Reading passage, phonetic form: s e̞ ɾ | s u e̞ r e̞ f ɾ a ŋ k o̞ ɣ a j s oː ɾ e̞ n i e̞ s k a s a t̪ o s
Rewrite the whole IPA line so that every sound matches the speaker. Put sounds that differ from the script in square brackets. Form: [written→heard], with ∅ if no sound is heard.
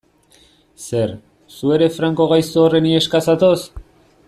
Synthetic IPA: s e̞ ɾ | s u e̞ [r→ɾ] e̞ f ɾ a ŋ k o̞ ɣ a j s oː [ɾ→r] e̞ n i e̞ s k a s a t̪ o s